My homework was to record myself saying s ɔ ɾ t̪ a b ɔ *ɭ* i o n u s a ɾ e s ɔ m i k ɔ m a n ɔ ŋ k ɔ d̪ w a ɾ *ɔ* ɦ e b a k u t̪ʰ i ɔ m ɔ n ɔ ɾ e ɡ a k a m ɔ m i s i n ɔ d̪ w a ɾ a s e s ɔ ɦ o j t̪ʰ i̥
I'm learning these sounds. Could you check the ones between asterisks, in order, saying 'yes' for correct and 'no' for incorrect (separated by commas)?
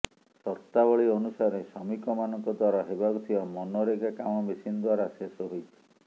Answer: yes, yes